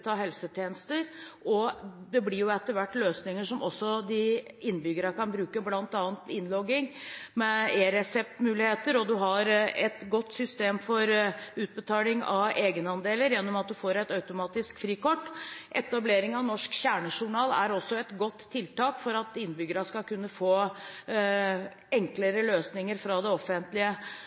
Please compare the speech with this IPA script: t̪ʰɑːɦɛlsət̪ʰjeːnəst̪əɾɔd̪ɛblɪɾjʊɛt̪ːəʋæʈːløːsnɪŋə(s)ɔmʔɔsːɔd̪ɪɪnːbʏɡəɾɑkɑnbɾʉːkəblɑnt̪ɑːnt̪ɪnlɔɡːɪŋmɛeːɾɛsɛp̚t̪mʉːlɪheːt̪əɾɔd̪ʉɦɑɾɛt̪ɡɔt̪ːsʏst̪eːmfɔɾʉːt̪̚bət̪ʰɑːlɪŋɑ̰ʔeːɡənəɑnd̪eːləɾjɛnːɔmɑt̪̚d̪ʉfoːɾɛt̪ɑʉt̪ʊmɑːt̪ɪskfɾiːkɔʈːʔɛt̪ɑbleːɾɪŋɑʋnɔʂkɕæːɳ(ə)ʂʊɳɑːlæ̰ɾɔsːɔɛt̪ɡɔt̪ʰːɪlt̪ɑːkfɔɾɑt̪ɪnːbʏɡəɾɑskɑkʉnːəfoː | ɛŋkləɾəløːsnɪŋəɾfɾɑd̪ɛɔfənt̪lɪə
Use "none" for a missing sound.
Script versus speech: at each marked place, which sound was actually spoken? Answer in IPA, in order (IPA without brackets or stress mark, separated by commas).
ʂ, ə